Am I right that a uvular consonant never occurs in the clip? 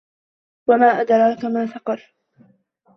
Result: no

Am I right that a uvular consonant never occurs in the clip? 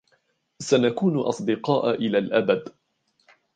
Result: no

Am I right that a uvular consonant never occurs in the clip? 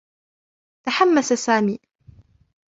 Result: yes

